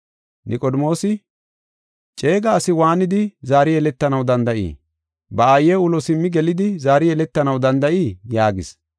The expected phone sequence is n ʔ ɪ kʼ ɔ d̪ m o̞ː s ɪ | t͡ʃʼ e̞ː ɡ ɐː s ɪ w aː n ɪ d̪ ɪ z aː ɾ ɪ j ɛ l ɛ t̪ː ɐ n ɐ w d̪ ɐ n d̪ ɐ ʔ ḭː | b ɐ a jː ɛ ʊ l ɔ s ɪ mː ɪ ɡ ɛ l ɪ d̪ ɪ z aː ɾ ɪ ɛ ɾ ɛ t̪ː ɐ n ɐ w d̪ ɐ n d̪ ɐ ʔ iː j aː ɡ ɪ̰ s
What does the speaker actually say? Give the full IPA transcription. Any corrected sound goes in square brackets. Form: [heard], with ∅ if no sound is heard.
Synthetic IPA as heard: n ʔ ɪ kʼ ɔ d̪ m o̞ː s ɪ | t͡ʃʼ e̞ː ɡ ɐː s ɪ w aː n ɪ d̪ ɪ z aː ɾ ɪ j ɛ l ɛ t̪ː ɐ n ɐ w d̪ ɐ n d̪ ɐ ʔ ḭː | b ɐ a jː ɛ ʊ l ɔ s ɪ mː ɪ ɡ ɛ l ɪ d̪ ɪ z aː ɾ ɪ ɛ [l] ɛ t̪ː ɐ n ɐ w d̪ ɐ n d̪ ɐ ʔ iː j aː ɡ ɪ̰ s